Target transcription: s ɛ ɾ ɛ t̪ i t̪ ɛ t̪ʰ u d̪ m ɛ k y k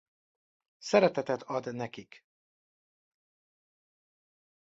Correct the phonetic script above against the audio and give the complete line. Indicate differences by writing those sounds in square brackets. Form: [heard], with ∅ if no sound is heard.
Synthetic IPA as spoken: s ɛ ɾ ɛ t̪ [ɛ] t̪ ɛ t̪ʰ [ɒ] d̪ [n] ɛ k [i] k

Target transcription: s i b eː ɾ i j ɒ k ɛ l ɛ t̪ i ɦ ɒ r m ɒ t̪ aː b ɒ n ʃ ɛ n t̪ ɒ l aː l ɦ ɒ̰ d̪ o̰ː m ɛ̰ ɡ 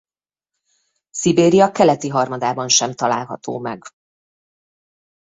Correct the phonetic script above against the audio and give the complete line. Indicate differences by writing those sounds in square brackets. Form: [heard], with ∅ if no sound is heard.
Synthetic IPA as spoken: s i b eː ɾ i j ɒ k ɛ l ɛ t̪ i ɦ ɒ r m ɒ [d̪] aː b ɒ n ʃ ɛ [m] t̪ ɒ l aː l ɦ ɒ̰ [t̪] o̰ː m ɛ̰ ɡ

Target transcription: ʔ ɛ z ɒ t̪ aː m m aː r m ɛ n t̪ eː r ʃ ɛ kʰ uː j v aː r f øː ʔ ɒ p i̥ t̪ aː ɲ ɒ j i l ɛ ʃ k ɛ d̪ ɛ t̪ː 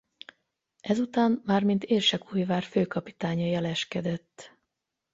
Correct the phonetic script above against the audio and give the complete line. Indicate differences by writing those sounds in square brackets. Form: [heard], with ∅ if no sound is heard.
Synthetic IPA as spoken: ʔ ɛ z [u] t̪ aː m m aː r m [i] n t̪ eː r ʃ ɛ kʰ uː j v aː r f øː [k] ɒ p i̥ t̪ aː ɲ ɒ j [ɛ] l ɛ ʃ k ɛ d̪ ɛ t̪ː

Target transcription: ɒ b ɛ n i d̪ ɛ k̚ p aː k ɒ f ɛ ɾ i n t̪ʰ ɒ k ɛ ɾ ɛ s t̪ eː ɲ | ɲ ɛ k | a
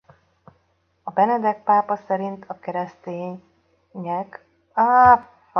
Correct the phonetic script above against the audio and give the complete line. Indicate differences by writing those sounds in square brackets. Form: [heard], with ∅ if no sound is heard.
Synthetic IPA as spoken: ɒ b ɛ n [ɛ] d̪ ɛ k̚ p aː [p] ɒ [s] ɛ ɾ i n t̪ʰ ɒ k ɛ ɾ ɛ s t̪ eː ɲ | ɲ ɛ k | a

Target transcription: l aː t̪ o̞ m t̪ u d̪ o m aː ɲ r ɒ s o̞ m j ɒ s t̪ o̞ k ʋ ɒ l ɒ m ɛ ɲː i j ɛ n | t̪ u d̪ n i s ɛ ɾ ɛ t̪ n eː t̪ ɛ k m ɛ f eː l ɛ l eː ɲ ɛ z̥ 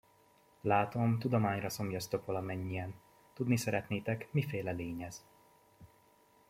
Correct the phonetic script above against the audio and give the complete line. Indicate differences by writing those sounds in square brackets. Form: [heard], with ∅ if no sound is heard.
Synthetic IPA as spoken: l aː t̪ o̞ m t̪ u d̪ o m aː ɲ r ɒ s o̞ m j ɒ s t̪ o̞ k ʋ ɒ l ɒ m ɛ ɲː i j ɛ n | t̪ u d̪ n i s ɛ ɾ ɛ t̪ n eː t̪ ɛ k m [i] f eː l ɛ l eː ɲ ɛ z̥

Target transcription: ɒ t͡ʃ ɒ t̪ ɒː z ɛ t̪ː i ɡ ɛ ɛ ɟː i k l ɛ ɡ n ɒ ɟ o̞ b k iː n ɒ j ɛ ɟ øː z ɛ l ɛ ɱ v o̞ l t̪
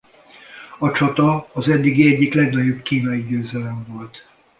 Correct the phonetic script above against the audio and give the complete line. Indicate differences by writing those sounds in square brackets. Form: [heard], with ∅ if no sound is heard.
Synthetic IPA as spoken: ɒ t͡ʃ ɒ t̪ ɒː z ɛ [d̪ː] i ɡ [i] ɛ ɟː i k l ɛ ɡ n ɒ ɟ o̞ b k iː n ɒ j [i] ɟ øː z ɛ l ɛ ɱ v o̞ l t̪

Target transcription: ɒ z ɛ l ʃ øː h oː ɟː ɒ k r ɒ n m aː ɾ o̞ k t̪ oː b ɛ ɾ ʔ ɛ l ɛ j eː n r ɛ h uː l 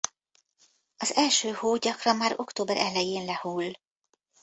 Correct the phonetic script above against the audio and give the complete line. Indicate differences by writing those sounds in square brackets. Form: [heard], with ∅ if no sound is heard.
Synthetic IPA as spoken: ɒ z ɛ l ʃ øː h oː [ɟ] ɒ k r ɒ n m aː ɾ o̞ k t̪ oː b ɛ ɾ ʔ ɛ l ɛ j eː n [l] ɛ h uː l

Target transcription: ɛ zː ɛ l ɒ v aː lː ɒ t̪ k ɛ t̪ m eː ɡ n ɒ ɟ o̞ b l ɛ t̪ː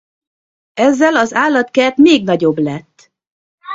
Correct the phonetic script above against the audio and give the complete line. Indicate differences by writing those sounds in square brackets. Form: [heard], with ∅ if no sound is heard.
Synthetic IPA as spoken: ɛ zː ɛ l ɒ [z] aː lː ɒ t̪ k ɛ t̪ m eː ɡ n ɒ ɟ o̞ b l ɛ t̪ː

